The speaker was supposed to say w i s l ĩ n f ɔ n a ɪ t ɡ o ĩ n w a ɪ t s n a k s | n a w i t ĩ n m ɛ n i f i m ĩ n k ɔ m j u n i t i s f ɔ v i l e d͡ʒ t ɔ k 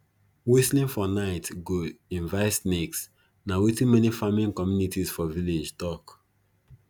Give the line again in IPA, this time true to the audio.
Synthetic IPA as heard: w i s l ĩ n f ɔ n a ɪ t ɡ o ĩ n v a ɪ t s n e k s | n a w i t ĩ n m ɛ n i f a m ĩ n k ɔ m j u n i t i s f ɔ v i l e d͡ʒ t ɔ k